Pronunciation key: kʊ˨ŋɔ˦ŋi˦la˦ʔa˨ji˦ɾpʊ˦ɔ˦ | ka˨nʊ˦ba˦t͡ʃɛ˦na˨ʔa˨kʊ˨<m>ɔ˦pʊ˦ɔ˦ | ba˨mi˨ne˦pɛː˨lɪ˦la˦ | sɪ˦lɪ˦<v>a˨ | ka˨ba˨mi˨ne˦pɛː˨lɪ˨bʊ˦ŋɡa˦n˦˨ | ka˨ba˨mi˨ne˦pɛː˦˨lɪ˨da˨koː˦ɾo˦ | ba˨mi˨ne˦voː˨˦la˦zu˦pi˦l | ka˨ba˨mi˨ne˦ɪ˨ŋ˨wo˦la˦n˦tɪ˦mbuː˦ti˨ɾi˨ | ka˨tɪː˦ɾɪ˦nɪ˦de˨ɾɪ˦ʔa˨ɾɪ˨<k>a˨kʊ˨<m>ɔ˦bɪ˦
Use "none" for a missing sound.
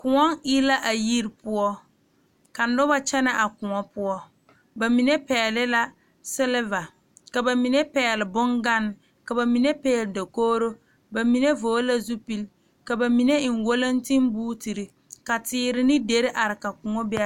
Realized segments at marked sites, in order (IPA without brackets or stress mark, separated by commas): ŋ, v, k, ŋ